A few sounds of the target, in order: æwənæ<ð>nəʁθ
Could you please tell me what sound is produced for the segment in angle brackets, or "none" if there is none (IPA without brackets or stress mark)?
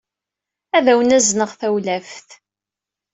z